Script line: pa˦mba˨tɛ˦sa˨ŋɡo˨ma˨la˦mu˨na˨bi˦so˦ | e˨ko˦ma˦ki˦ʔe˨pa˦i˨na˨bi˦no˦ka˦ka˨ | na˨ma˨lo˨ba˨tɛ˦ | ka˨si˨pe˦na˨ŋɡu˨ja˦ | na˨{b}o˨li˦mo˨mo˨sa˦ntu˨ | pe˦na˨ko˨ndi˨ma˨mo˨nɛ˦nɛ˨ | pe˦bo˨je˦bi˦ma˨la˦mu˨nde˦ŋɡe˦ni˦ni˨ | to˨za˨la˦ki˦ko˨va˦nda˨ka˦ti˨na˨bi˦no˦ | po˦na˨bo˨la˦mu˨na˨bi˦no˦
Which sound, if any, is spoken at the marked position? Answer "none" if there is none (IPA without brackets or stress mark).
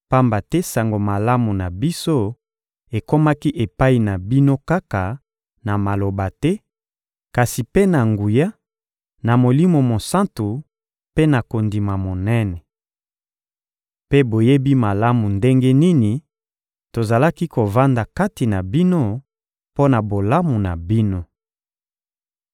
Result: m